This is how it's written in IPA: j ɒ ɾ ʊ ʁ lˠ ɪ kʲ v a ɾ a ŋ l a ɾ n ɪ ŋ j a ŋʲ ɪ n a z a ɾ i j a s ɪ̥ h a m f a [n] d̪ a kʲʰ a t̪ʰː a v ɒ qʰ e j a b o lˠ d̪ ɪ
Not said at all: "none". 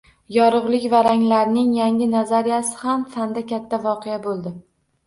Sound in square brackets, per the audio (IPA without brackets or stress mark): n